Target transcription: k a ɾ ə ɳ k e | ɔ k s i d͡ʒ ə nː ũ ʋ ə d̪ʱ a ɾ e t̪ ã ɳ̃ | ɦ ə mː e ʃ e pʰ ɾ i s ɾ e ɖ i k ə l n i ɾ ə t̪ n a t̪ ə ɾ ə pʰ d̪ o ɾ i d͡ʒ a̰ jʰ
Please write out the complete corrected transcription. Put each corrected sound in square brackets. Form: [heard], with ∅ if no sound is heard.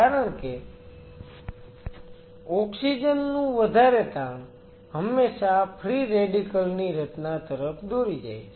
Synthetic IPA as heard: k a ɾ ə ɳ k e | ɔ k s i d͡ʒ ə nː ũ ʋ ə d̪ʱ a ɾ e t̪ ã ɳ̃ | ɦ ə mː e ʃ [a] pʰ ɾ i [∅] ɾ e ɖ i k ə l n i ɾ ə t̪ n a t̪ ə ɾ ə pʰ d̪ o ɾ i d͡ʒ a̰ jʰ